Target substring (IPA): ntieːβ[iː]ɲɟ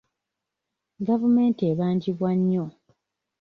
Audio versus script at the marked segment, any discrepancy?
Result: yes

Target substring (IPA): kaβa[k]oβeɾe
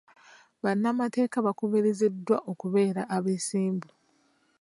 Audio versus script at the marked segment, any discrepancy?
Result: no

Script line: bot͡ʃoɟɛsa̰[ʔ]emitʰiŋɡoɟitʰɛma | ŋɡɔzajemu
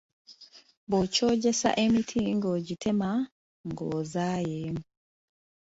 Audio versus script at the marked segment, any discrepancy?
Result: no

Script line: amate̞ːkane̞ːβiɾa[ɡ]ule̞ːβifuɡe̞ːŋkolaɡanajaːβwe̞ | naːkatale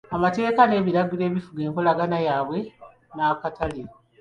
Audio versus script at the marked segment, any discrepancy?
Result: no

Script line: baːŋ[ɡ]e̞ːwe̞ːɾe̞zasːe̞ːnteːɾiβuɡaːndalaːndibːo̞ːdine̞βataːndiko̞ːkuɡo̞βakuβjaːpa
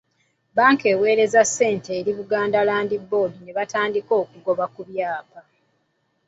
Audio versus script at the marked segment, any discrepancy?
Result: yes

